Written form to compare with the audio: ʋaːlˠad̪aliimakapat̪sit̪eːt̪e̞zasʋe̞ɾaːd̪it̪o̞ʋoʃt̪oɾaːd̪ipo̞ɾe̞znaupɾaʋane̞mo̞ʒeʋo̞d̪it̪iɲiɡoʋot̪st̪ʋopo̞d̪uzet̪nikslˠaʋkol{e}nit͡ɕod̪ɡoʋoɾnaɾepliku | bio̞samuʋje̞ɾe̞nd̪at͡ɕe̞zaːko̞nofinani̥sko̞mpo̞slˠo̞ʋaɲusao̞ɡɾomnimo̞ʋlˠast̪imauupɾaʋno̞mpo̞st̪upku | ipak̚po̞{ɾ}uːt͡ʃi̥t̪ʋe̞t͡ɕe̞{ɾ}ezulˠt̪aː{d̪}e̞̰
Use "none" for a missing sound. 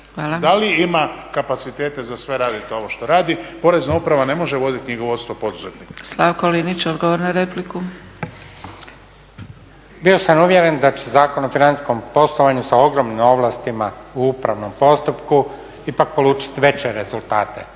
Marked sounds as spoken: i, l, ɾ, t̪

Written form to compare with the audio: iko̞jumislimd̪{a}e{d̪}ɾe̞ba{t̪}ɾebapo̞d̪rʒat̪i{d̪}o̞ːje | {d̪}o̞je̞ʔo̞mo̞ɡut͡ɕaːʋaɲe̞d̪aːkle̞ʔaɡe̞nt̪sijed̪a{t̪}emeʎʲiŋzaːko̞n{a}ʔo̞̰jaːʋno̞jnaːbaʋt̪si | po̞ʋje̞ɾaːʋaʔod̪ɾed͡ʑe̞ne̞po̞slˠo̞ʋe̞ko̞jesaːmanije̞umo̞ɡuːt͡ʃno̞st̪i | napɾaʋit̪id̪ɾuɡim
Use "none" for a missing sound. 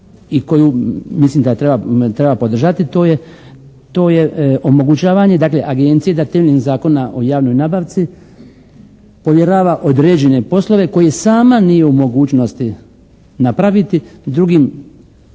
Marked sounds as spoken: a, t̪, t̪, t̪, t̪, t̪, a

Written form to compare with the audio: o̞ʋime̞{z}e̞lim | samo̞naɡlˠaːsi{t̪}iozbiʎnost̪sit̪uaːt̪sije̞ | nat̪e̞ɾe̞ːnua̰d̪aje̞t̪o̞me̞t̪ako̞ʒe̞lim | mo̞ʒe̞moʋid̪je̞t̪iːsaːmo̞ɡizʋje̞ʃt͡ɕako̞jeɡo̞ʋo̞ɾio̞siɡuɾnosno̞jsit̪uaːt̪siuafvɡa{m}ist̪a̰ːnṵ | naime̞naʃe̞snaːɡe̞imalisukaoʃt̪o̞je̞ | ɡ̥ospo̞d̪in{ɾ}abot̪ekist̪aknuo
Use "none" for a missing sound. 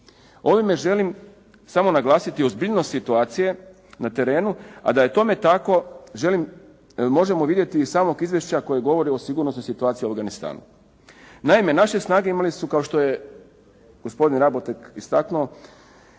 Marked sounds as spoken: ʒ, t̪, n, ɾ

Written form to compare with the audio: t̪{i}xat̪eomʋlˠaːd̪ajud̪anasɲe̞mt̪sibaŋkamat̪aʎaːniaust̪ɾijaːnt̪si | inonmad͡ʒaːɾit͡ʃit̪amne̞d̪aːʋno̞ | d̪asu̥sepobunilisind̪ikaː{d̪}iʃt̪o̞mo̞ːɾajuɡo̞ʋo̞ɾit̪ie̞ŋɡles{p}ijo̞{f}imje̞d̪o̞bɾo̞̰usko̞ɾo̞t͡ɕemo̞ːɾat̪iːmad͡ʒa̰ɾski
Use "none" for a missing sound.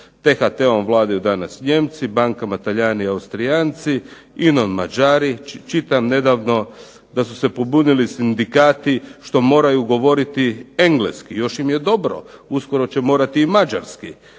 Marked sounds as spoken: e, t̪, k, ʃ

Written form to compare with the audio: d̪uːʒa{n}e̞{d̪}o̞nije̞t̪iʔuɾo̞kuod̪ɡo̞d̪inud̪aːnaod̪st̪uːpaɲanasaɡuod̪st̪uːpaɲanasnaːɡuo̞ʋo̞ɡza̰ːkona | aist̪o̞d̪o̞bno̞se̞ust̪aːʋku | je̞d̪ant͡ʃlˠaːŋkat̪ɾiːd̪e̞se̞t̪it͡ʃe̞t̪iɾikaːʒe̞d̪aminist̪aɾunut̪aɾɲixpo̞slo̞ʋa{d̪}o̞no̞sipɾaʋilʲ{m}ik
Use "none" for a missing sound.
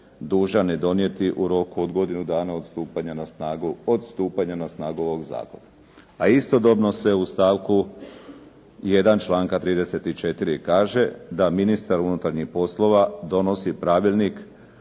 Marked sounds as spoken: n, d̪, d̪, n

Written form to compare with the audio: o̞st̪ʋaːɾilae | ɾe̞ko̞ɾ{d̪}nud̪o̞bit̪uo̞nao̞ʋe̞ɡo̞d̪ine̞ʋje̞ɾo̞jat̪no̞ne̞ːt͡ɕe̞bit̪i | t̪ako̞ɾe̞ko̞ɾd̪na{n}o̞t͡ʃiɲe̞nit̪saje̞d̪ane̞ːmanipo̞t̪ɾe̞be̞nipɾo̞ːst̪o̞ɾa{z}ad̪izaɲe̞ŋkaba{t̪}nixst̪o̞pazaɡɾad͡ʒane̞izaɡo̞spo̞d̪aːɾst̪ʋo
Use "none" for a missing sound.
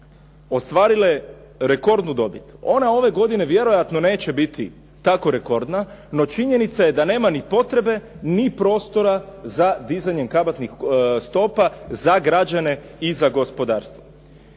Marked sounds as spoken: d̪, n, z, t̪

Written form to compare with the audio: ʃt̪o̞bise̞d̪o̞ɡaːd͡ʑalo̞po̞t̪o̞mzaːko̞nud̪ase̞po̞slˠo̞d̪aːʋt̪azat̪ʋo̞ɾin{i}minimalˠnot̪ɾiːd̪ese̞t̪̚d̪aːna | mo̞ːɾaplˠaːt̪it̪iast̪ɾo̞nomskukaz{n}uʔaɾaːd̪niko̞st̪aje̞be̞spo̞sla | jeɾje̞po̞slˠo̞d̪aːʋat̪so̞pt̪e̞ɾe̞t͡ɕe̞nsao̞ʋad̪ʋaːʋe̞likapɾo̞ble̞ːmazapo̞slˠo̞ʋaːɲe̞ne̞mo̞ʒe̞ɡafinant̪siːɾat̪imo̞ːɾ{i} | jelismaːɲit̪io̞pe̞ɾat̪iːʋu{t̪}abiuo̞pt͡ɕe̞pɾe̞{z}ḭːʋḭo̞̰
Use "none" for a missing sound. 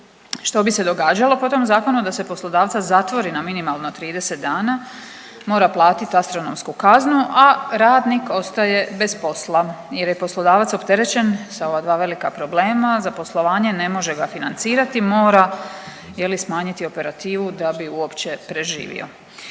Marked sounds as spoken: a, n, a, d̪, ʒ

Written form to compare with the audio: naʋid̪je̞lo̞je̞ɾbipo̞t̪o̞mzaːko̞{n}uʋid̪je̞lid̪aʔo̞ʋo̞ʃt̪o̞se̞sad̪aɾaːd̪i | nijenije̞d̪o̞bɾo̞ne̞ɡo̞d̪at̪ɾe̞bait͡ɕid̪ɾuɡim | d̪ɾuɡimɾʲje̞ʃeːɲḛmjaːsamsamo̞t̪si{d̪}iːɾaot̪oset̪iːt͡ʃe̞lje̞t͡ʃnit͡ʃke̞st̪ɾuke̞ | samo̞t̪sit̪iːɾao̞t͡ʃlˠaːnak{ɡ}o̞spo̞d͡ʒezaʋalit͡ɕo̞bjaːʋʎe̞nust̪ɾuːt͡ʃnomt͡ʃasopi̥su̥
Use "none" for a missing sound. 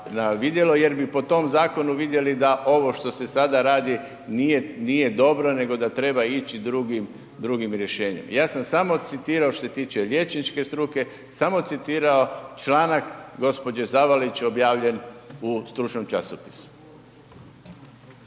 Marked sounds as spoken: n, t̪, ɡ

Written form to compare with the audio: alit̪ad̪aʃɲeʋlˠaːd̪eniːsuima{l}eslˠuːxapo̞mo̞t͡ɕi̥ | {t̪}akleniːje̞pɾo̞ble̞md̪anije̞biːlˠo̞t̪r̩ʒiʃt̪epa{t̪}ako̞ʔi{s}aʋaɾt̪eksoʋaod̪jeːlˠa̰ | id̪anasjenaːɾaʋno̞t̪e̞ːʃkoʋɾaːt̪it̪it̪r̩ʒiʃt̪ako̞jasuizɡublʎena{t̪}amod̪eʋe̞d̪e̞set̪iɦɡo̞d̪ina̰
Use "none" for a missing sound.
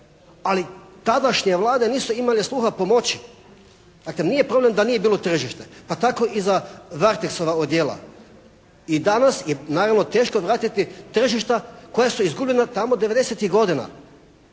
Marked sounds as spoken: l, d̪, t̪, z, t̪

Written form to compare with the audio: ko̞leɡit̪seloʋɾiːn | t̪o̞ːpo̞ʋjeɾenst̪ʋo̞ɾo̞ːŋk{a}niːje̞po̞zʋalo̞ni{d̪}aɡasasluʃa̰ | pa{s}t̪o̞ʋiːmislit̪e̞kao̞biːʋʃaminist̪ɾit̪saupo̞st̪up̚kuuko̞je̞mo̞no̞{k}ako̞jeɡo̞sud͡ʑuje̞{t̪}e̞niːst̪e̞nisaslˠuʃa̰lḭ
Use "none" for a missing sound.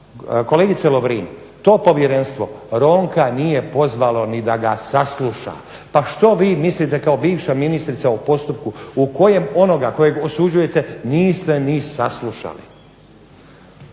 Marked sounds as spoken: a, d̪, ʃ, ɡ, t̪

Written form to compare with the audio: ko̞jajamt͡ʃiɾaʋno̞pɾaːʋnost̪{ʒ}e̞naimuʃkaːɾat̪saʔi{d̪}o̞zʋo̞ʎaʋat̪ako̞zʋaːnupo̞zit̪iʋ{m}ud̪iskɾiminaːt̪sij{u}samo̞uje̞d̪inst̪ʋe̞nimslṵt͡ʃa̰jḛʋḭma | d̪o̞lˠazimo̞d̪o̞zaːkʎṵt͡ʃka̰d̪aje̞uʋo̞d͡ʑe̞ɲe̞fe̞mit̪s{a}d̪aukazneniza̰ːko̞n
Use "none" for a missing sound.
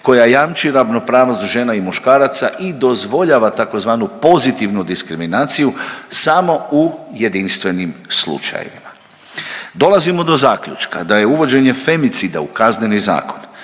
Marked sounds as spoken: ʒ, d̪, n, u, i

